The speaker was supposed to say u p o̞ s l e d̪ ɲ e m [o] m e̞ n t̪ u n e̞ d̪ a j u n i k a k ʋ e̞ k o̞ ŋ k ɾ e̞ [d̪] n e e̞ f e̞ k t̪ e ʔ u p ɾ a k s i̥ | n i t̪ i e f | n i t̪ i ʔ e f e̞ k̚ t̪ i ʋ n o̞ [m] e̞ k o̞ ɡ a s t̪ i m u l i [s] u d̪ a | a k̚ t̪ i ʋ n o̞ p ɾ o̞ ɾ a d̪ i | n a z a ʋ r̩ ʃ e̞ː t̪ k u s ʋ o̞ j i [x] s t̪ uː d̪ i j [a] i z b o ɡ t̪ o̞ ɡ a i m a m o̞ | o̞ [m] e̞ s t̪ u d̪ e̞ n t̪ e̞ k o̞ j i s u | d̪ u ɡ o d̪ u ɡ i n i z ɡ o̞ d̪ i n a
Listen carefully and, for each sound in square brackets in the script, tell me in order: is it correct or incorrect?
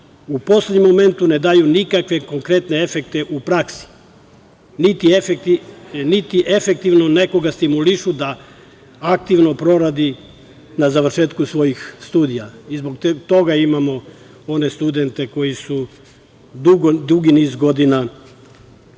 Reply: correct, incorrect: t̪, incorrect: n, incorrect: ʃ, correct, correct, incorrect: n

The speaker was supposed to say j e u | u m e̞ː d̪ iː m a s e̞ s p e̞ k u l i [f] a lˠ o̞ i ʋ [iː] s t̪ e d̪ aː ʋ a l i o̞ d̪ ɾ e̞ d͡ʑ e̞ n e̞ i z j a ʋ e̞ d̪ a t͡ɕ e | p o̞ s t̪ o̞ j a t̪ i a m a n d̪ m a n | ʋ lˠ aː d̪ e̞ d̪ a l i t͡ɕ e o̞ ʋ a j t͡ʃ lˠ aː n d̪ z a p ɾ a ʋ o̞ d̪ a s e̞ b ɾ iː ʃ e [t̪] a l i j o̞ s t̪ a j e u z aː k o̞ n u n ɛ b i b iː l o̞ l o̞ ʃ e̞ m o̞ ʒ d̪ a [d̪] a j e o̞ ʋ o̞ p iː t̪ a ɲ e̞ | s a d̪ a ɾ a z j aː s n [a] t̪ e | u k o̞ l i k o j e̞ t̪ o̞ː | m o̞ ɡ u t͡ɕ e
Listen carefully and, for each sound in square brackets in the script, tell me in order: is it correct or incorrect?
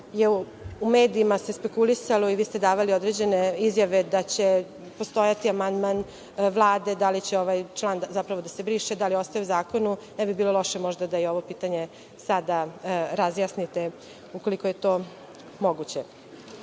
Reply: incorrect: s, correct, incorrect: d̪, correct, incorrect: i

